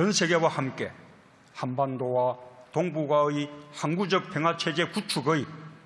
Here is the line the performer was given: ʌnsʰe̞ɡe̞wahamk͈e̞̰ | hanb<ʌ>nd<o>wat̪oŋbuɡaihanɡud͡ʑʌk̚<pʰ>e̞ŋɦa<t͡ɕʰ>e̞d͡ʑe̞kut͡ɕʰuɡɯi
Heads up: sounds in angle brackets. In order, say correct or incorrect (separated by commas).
incorrect, correct, correct, correct